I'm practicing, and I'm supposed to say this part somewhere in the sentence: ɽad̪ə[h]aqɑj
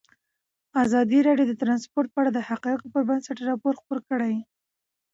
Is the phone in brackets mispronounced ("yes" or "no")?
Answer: no